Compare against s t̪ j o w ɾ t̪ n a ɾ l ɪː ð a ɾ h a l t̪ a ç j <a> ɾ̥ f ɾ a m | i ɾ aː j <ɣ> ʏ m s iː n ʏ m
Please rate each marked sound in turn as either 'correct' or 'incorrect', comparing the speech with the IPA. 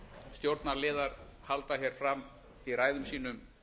incorrect: ɛ, incorrect: ð

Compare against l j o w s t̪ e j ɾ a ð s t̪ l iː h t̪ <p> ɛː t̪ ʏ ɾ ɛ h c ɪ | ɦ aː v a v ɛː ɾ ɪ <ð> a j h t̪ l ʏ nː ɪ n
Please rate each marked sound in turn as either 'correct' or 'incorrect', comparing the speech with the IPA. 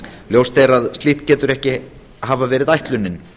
incorrect: c, correct

